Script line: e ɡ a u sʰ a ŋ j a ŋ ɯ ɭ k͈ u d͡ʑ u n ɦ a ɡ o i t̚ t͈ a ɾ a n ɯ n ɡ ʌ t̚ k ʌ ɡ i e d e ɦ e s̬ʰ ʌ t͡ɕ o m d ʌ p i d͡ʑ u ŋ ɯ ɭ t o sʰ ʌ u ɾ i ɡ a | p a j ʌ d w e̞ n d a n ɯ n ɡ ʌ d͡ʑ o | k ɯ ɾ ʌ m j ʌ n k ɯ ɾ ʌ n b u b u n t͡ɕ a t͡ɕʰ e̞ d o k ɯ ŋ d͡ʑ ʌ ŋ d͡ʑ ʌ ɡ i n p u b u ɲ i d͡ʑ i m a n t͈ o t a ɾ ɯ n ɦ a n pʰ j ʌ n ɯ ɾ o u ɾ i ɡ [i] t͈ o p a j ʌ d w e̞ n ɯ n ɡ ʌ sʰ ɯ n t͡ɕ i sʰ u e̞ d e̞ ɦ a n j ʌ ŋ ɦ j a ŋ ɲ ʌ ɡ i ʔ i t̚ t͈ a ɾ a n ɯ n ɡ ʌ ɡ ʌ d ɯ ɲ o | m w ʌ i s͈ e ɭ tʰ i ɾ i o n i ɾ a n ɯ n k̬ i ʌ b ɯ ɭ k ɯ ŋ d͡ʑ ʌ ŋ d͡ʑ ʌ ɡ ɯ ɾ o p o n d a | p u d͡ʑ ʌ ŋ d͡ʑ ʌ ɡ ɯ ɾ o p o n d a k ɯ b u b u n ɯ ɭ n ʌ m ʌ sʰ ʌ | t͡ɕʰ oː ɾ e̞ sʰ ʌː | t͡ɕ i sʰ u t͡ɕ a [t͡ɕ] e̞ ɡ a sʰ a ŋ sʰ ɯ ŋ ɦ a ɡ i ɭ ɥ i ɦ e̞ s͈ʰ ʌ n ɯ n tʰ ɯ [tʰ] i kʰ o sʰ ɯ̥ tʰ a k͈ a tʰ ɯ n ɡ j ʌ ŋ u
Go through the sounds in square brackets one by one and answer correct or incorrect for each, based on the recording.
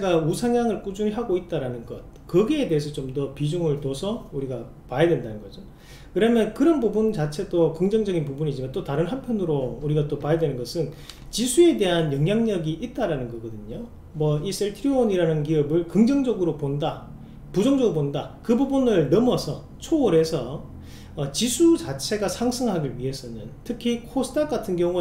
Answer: incorrect: a, incorrect: t͡ɕʰ, incorrect: kʰ

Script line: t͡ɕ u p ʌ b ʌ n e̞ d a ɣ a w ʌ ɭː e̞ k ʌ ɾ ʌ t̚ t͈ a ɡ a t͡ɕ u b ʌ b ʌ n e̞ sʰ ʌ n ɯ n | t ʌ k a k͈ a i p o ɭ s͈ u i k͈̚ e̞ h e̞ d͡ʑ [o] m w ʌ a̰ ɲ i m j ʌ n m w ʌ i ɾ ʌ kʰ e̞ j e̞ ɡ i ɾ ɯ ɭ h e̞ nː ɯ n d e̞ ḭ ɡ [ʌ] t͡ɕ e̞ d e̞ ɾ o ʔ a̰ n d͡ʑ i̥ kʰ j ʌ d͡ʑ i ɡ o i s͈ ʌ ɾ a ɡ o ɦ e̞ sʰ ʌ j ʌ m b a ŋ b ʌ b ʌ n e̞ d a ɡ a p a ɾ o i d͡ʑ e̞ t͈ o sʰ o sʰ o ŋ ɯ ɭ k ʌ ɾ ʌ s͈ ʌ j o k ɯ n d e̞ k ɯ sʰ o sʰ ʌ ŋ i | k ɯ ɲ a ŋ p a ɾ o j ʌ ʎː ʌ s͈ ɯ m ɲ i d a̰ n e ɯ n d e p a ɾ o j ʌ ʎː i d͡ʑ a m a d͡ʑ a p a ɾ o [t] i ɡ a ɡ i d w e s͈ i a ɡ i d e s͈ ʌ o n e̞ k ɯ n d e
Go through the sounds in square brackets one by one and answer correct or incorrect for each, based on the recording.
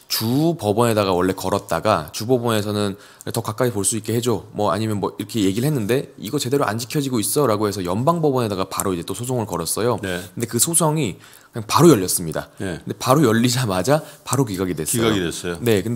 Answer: correct, correct, incorrect: k

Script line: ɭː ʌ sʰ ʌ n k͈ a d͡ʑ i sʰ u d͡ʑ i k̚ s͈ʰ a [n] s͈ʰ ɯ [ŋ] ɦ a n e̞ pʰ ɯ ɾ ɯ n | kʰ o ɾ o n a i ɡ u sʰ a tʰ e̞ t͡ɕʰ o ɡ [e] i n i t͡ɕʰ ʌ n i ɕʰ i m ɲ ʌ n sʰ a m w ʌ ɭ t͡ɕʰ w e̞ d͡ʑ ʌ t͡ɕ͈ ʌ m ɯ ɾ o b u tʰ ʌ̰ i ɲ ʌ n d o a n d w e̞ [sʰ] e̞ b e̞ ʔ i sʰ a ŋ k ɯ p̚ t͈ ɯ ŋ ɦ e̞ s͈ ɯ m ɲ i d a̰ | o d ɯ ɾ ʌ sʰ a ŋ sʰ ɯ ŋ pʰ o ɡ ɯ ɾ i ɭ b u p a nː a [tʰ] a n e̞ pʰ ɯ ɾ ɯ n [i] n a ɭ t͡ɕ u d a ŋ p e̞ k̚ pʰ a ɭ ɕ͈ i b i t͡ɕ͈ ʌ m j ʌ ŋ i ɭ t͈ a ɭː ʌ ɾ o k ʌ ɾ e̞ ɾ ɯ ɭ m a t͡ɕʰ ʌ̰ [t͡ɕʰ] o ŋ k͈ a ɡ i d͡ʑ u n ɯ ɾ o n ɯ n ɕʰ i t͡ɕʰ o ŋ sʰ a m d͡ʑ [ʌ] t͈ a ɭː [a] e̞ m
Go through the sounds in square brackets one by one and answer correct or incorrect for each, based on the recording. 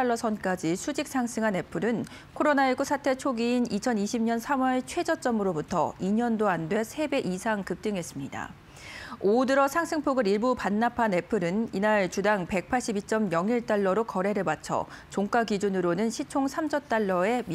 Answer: incorrect: ŋ, correct, incorrect: i, correct, incorrect: pʰ, correct, incorrect: t͡ɕ, correct, incorrect: ʌ

